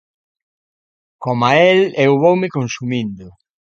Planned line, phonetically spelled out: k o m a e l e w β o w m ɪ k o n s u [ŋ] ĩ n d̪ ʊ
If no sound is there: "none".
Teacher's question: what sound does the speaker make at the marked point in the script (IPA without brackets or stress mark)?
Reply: m